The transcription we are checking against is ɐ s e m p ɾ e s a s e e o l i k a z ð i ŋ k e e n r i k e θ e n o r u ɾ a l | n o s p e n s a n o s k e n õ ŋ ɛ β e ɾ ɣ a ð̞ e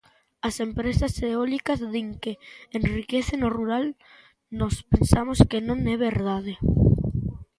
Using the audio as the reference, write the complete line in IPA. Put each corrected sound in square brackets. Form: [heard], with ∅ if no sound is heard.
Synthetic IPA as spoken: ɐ s e m p ɾ e s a s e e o l i k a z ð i ŋ k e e n r i k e θ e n o r u ɾ a l | n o s p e n s a [m] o s k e n õ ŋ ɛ β e ɾ [ð] a ð̞ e